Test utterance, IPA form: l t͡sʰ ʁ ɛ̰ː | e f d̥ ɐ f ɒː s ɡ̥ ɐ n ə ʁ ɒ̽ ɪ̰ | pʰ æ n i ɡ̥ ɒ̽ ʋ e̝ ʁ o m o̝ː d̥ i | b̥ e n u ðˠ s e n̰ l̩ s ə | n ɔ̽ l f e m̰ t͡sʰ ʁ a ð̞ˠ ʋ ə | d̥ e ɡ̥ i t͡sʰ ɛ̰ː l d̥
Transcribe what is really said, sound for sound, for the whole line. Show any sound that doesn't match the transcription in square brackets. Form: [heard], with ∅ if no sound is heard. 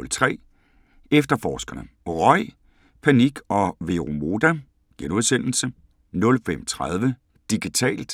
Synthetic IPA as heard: l t͡sʰ ʁ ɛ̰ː | e f d̥ ɐ f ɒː s ɡ̥ ɐ n ə ʁ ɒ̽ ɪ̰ | pʰ æ n i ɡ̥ ɒ̽ ʋ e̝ ʁ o m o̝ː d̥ [æ] | [ɡ̥] e n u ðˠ s e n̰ l̩ s ə | n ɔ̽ l f e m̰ t͡sʰ ʁ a ð̞ˠ ʋ ə | d̥ [i] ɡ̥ i t͡sʰ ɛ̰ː l d̥